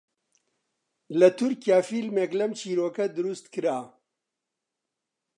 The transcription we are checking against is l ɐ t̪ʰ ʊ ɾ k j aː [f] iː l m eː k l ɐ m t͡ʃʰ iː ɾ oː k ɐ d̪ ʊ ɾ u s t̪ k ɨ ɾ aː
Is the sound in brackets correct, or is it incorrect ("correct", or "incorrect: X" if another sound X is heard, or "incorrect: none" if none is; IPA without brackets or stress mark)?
correct